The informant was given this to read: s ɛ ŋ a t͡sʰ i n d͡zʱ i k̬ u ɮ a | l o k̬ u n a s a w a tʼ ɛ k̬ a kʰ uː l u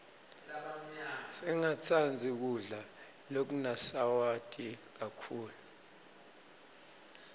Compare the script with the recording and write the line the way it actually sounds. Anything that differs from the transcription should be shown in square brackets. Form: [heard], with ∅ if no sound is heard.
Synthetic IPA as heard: s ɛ ŋ a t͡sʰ [a] n d͡zʱ i k̬ u ɮ a | l o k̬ u n a s a w a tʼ [i] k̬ a kʰ uː l u